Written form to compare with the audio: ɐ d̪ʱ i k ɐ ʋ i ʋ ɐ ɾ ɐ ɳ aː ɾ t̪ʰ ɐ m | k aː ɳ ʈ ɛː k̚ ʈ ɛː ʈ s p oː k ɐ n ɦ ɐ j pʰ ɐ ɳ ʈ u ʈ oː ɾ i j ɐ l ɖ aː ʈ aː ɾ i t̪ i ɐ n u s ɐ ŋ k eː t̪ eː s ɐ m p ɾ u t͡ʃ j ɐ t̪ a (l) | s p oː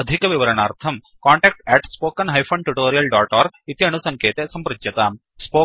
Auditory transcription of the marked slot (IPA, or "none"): none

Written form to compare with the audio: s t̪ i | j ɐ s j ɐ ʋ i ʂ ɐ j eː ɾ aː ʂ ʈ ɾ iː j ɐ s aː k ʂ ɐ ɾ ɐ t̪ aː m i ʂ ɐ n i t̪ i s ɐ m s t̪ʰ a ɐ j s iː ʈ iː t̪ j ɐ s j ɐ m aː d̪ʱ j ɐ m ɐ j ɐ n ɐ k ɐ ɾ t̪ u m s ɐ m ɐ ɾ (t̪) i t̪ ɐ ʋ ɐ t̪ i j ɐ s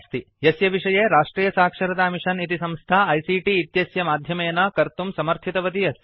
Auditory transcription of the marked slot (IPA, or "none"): t̪ʰ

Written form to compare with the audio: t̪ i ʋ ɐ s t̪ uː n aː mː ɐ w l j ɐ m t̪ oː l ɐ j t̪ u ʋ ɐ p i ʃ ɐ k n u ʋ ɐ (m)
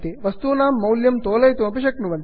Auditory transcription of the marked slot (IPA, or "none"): n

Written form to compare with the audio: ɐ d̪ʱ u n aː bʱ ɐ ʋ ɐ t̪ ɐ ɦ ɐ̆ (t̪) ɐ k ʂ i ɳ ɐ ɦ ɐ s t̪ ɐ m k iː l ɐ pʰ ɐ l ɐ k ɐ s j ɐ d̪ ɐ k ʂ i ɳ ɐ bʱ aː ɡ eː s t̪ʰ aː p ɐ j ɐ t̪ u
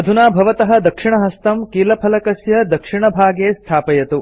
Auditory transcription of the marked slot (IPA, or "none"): d̪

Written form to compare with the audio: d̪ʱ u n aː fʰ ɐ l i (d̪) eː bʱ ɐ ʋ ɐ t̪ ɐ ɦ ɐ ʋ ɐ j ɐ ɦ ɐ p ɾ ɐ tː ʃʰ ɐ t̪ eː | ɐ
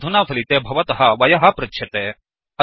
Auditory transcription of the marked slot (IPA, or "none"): t̪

